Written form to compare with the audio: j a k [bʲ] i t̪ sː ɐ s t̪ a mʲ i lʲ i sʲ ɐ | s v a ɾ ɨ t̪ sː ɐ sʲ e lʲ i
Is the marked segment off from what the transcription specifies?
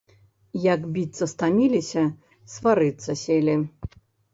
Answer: no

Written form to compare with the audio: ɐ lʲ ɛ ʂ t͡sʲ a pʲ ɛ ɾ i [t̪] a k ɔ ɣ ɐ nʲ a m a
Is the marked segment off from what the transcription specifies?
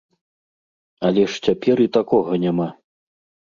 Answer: no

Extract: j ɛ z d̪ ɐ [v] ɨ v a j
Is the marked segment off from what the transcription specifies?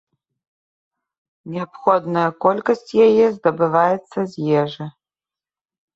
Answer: yes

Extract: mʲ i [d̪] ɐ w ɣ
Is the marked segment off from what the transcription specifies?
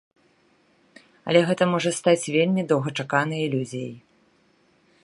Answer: no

